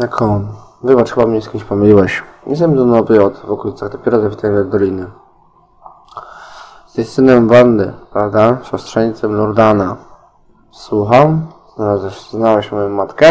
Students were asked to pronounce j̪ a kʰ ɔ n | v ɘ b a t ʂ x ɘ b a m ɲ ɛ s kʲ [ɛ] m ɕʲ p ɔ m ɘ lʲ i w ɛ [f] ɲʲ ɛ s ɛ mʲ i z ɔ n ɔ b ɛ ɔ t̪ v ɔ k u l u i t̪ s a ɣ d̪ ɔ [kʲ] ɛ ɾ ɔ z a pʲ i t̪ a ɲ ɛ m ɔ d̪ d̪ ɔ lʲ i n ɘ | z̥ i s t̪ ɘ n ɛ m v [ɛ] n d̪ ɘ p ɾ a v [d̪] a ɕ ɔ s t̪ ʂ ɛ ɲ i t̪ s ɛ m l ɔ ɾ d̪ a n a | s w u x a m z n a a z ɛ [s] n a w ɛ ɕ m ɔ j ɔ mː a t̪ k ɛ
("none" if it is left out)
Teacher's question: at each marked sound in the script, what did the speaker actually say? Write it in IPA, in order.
i, ɕ, pʲ, a, d̪, z

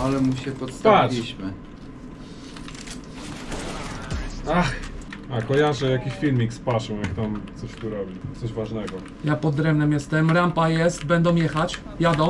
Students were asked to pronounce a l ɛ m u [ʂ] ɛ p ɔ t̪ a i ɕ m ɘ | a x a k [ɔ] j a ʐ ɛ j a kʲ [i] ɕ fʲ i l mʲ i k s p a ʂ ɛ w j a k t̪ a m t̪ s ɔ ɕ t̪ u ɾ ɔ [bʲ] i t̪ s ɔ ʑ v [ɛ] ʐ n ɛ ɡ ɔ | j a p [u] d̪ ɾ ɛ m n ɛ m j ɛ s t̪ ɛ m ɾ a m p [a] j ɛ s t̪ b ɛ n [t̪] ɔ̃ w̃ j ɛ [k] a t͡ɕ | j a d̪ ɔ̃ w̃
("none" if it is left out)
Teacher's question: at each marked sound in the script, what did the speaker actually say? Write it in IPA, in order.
ɕ, ɔ, i, bʲ, a, ɔ, a, d̪, x

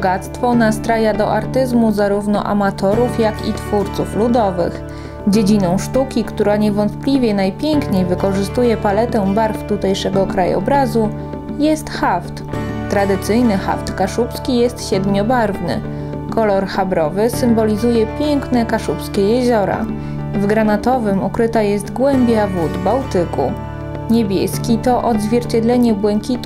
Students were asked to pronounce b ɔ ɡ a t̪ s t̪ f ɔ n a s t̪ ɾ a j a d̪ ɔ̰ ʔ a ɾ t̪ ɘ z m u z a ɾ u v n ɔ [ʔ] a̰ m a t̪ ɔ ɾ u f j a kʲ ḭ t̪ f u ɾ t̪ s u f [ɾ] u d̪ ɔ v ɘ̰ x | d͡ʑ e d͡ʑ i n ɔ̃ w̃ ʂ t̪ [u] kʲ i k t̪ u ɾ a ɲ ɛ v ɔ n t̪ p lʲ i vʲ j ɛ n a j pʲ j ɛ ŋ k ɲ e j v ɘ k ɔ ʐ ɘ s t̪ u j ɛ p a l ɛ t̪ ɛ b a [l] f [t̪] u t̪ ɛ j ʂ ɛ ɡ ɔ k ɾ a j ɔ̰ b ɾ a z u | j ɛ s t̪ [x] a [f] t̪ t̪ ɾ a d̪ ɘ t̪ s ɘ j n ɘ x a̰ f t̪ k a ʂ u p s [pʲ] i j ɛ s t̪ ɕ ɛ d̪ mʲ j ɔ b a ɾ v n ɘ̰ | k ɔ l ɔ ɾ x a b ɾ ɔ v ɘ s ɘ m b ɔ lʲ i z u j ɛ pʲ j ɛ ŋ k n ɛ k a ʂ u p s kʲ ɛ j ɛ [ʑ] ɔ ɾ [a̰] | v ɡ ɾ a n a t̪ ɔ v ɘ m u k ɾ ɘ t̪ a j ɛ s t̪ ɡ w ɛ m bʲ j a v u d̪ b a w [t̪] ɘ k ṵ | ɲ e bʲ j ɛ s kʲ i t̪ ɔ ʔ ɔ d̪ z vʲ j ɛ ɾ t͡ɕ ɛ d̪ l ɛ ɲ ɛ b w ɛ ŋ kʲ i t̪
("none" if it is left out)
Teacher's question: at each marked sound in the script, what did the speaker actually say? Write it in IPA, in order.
ʔ, l, u, ɾ, t̪, x, f, kʲ, ʑ, a̰, t̪

